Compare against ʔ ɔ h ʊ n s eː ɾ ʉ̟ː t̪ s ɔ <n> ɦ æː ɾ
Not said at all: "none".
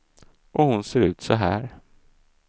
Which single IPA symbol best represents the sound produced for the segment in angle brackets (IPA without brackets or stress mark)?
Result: none